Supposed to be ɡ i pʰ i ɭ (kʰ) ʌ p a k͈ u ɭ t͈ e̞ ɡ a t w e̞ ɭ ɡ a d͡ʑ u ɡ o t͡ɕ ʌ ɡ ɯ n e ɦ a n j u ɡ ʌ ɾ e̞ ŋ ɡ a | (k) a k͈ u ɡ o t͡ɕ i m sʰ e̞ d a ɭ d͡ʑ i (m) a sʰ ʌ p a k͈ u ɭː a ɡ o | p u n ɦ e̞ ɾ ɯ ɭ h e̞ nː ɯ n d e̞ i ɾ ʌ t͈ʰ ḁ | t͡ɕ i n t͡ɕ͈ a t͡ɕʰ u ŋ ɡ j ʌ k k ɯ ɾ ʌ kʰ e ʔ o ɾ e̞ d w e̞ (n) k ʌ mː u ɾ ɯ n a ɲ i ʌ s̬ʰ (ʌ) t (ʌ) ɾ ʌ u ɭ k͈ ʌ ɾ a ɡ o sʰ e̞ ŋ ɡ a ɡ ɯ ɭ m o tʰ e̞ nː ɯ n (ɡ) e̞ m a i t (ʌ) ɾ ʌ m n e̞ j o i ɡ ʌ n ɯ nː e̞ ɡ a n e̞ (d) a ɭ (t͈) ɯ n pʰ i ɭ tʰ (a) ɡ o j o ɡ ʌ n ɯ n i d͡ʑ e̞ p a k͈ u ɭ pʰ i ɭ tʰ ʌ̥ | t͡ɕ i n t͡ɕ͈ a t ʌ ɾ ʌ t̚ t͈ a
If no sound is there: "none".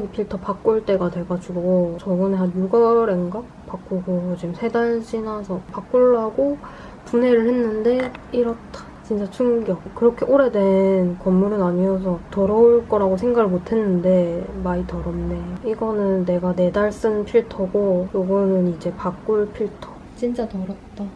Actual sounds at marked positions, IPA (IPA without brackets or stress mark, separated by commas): tʰ, p, n, n, ʌ, ʌ, d, ʌ, d, s͈, ʌ